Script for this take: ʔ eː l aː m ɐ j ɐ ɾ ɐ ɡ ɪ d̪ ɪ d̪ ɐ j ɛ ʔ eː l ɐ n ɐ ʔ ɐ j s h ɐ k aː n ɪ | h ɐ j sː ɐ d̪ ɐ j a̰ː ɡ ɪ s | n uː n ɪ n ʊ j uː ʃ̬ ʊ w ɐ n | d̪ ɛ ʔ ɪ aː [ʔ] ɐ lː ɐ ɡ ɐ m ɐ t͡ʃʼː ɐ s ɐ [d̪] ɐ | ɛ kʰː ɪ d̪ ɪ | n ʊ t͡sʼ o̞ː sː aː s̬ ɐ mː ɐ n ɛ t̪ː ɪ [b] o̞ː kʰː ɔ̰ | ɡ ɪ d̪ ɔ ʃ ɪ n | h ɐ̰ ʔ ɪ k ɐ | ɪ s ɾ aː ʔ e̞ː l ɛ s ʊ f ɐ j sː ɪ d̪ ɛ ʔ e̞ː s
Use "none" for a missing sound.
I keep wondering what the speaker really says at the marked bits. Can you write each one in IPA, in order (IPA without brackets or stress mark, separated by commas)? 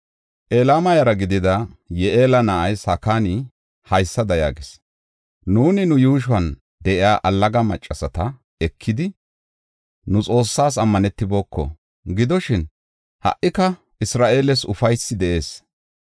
ʔ, t̪, b